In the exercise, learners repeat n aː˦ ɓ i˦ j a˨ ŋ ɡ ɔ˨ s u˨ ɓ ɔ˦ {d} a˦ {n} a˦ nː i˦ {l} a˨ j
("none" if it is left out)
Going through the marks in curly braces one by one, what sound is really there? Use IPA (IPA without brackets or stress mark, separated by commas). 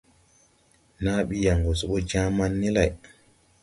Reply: d͡ʒ, m, l